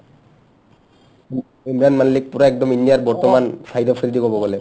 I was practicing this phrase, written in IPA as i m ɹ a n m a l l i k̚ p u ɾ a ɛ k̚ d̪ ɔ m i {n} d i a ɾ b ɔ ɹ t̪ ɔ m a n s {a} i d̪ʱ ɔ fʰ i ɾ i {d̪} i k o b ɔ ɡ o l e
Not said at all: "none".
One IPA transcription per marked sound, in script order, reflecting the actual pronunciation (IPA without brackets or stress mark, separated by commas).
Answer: n, a, d̪